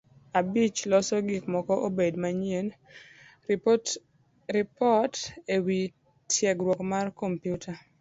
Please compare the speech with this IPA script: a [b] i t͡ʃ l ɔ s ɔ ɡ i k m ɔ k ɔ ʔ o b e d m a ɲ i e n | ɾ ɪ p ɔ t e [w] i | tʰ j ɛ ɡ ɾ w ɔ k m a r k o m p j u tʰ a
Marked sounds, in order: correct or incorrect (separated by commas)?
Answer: correct, correct